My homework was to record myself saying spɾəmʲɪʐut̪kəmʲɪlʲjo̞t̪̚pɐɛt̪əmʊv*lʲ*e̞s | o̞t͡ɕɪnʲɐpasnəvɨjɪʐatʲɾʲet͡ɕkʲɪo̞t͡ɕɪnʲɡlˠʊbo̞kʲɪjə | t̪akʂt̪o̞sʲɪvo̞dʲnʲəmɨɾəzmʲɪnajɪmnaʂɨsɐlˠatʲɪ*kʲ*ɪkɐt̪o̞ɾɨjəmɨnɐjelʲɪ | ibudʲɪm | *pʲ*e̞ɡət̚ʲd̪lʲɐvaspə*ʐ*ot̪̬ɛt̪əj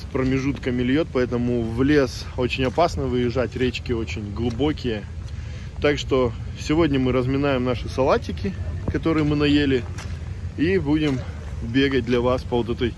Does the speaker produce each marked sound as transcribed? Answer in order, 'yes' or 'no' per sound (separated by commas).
yes, yes, no, no